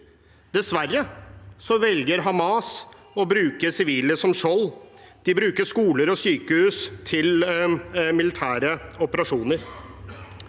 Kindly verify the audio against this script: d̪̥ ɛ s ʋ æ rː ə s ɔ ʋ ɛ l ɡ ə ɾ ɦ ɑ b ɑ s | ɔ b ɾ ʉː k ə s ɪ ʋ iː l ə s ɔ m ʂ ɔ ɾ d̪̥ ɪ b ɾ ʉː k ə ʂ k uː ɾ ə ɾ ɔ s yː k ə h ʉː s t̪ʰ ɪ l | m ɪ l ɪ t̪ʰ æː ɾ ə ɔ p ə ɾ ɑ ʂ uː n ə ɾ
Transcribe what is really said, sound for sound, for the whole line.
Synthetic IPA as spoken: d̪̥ ɛ s ʋ æ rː ə s ɔ ʋ ɛ l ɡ ə ɾ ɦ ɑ m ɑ s | ɔ b ɾ ʉː k ə s ɪ ʋ iː l ə s ɔ m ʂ ɔ l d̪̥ ɪ b ɾ ʉː k ə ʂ k uː l ə ɾ ɔ s yː k ə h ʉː s t̪ʰ ɪ l | m ɪ l ɪ t̪ʰ æː ɾ ə ɔ p ə ɾ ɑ ʂ uː n ə ɾ

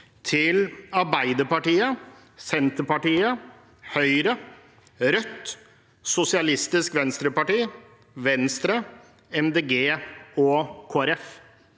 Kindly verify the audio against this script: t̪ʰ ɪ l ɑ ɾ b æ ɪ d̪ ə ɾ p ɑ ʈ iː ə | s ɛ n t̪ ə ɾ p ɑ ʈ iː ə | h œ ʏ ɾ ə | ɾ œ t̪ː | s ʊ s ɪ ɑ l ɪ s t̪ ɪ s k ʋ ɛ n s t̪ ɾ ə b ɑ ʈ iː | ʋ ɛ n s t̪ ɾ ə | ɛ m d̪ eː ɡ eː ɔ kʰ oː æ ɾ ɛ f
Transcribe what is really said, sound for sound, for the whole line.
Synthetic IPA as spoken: t̪ʰ ɪ l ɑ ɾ b æ ɪ d̪ ə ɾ p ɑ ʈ iː ə | s ɛ n t̪ ə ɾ p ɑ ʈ iː ə | h œ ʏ ɾ ə | ɾ œ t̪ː | s ʊ s ɪ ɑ l ɪ s t̪ ɪ s k ʋ ɛ n s t̪ ɾ ə p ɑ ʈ iː | ʋ ɛ n s t̪ ɾ ə | ɛ m d̪ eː ɡ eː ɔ kʰ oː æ ɾ ɛ f

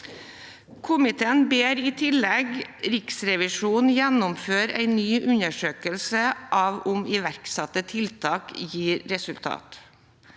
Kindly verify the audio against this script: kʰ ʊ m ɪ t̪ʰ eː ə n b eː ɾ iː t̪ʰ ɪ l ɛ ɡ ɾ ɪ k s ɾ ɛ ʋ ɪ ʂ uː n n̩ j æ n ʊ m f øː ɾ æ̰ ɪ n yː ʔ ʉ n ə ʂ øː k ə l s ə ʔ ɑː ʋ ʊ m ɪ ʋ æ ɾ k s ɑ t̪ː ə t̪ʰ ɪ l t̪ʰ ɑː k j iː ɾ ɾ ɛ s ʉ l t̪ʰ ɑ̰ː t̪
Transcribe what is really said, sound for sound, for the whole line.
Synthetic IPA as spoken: kʰ ʊ m ɪ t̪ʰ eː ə n b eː ɾ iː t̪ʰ ɪ l ɛ ɡ ɾ ɪ k s ɾ ɛ ʋ ɪ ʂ uː n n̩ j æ n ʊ m f øː ɾ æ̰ ɪ n yː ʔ ʉ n ə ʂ øː k ə l s ə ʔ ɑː ʋ ʊ m ɪ ʋ æ ɾ k s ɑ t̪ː ə t̪ʰ ɪ l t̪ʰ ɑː k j iː ɾ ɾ ɛ s ʉ l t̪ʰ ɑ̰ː t̪

